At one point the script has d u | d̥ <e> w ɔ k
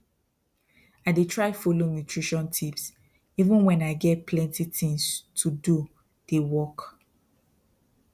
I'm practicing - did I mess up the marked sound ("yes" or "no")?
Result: no